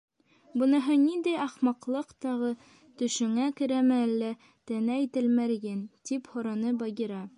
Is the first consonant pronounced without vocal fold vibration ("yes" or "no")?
no